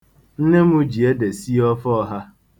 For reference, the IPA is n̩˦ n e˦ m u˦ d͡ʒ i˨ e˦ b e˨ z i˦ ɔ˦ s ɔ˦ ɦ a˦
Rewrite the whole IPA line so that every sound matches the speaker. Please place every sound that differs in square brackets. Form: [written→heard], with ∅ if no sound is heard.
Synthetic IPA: n̩˦ n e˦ m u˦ d͡ʒ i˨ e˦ [b→d] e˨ [z→s] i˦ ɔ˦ [s→f] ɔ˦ ɦ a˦